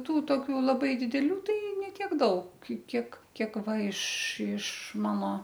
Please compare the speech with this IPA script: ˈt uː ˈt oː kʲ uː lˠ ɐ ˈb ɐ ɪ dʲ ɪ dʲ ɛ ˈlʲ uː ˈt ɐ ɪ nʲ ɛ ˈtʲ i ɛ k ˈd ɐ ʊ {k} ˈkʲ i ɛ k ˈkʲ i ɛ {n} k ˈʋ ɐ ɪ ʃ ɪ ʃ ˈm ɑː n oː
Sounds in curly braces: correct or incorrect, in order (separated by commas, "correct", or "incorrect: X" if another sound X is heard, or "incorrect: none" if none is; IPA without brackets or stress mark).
correct, incorrect: none